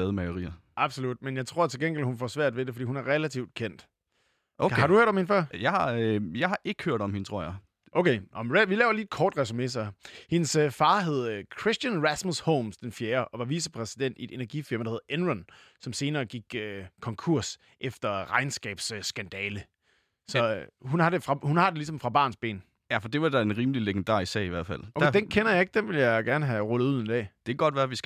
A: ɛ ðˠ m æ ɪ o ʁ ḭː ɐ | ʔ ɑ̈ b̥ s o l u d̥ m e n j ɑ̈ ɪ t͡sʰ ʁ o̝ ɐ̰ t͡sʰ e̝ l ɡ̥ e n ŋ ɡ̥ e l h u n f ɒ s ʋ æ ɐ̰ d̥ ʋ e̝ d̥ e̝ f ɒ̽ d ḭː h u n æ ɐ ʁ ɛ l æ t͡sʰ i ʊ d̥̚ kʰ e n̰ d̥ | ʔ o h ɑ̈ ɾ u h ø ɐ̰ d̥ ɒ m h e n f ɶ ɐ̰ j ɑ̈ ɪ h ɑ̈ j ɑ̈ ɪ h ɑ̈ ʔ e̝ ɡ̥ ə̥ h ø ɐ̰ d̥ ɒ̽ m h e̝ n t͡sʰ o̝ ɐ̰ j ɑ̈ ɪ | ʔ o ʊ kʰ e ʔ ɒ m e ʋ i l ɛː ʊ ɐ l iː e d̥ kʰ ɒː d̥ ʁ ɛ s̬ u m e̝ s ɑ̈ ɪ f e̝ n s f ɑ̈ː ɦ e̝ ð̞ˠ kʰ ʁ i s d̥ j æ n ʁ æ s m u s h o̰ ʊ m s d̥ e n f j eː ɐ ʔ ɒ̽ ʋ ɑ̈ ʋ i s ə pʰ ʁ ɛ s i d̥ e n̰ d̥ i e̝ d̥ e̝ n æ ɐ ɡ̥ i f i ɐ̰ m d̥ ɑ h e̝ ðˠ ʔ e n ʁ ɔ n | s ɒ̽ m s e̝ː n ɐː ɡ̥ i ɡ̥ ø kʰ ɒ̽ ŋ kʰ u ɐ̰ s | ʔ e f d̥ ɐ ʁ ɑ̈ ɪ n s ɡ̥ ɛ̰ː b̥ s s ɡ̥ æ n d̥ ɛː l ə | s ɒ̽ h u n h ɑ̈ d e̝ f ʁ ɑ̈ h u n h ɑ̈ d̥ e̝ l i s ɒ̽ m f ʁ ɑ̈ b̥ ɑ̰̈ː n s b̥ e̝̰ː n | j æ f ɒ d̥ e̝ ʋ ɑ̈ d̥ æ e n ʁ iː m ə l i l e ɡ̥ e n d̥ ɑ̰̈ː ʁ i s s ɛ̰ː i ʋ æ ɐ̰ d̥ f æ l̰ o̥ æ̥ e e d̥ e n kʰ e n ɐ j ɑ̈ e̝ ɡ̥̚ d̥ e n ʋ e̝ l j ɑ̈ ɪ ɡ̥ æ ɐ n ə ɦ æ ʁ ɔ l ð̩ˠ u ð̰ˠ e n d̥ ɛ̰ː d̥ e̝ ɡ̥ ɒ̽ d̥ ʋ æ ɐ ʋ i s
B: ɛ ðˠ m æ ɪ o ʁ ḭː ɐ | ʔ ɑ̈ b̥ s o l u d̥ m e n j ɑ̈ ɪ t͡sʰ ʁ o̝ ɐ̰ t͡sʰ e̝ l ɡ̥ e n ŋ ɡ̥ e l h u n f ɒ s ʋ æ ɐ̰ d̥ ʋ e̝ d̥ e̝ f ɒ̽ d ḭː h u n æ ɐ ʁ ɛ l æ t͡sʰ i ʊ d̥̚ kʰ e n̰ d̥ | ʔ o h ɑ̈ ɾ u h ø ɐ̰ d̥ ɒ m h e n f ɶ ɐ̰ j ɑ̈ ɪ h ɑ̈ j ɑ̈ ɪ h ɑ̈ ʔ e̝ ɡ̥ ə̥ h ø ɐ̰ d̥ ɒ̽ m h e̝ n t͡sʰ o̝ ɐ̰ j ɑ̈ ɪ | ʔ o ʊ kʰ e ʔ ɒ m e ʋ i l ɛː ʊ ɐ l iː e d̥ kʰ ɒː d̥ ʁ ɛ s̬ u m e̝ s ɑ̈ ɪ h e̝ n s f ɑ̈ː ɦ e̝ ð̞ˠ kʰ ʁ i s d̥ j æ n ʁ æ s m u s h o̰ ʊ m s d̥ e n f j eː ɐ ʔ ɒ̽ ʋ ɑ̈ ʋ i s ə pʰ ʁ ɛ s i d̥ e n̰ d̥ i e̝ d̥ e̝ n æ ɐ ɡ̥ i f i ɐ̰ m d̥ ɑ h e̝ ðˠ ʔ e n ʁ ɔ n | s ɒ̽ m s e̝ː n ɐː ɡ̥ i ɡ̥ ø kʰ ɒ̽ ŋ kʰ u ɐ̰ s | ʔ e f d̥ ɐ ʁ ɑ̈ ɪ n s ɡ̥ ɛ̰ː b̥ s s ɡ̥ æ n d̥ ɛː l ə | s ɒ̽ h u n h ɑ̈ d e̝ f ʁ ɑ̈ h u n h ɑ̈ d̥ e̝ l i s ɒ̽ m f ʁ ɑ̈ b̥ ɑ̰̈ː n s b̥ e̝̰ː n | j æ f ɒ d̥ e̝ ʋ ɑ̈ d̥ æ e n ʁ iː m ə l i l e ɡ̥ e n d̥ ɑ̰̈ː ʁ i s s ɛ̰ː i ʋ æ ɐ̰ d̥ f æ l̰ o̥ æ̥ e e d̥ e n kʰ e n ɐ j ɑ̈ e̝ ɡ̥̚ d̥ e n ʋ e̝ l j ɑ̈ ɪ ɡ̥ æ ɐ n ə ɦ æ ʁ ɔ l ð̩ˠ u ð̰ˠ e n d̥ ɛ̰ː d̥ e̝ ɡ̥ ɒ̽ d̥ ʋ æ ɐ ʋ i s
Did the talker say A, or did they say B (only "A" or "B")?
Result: B